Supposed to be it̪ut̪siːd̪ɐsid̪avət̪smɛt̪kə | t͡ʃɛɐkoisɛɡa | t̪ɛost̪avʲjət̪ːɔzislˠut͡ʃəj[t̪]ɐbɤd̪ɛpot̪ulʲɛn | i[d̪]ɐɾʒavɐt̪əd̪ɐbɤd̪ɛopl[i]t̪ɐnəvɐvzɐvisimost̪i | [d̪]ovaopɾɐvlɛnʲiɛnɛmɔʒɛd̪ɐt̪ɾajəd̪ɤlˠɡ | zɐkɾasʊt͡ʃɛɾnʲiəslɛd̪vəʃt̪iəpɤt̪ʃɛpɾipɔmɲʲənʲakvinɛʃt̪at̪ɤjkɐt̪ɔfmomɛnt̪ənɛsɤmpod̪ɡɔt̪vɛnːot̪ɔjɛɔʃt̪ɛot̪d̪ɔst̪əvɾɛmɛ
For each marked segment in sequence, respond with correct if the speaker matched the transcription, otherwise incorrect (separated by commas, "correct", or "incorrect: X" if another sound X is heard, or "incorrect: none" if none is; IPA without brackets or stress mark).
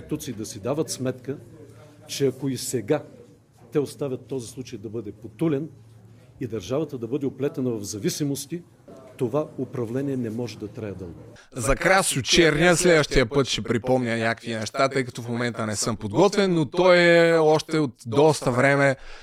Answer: incorrect: d̪, correct, incorrect: ɛ, incorrect: t̪